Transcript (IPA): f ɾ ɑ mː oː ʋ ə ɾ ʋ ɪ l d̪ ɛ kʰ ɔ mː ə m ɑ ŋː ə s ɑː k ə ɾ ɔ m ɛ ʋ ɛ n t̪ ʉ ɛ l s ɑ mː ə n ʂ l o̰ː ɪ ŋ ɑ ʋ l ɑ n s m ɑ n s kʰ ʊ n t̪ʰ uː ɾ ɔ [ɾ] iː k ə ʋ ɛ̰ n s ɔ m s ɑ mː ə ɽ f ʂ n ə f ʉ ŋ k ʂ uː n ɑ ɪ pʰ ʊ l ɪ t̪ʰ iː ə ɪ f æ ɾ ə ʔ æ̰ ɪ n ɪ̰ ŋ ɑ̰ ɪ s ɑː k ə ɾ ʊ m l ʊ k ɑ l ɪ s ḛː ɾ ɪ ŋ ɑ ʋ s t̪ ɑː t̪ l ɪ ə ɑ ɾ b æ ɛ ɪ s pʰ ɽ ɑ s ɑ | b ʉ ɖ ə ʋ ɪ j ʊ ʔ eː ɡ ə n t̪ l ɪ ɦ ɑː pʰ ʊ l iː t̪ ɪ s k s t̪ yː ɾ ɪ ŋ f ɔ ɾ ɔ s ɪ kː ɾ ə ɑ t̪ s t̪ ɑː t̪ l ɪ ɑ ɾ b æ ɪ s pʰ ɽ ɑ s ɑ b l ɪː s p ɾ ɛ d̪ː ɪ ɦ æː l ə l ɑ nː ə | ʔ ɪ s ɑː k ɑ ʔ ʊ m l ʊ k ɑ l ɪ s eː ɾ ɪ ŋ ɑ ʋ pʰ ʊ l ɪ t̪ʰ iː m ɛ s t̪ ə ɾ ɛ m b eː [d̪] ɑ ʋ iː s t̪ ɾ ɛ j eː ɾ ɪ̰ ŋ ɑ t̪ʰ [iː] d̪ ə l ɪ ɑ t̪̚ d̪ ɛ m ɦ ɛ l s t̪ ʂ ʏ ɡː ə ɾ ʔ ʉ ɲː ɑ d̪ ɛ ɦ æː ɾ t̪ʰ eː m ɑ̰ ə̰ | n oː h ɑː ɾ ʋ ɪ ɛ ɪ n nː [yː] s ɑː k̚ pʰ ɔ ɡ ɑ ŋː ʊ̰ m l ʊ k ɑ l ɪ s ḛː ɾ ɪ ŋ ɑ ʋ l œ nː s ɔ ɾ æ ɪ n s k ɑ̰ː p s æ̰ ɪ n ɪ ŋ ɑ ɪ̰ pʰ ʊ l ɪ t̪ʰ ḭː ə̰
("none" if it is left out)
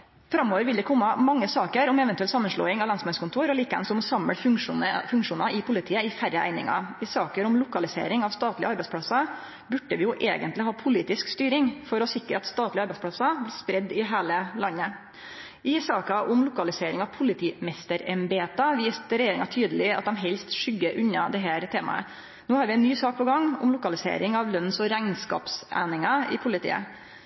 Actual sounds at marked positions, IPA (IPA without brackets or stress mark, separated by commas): l, t̪, yː, yː